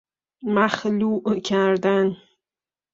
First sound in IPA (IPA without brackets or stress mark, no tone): m